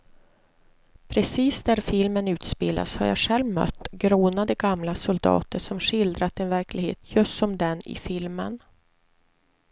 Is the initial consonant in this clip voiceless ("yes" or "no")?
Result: yes